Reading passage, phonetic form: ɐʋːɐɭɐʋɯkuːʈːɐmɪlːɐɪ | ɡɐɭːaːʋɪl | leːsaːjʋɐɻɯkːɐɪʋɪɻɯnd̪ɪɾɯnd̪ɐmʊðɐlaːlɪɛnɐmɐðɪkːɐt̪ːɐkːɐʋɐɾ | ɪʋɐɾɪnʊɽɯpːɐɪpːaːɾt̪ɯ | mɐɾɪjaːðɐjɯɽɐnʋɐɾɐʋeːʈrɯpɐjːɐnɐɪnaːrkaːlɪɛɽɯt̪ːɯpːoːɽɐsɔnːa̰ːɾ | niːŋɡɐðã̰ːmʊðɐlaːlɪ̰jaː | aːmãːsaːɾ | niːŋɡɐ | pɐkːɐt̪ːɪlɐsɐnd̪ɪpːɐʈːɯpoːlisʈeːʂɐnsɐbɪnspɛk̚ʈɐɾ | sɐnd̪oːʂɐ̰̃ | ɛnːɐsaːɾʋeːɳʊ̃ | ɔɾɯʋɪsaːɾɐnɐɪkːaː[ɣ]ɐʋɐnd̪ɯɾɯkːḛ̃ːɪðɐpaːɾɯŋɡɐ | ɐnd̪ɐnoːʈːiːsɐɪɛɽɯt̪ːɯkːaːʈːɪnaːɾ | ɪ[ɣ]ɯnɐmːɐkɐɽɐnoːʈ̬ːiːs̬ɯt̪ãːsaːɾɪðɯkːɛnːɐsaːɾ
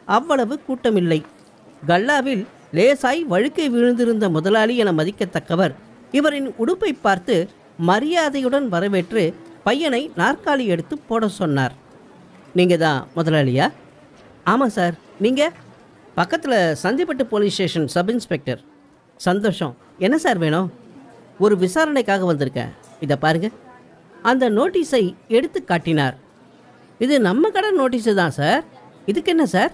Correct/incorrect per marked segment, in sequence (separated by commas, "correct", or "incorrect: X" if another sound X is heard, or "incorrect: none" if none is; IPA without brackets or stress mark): correct, incorrect: ð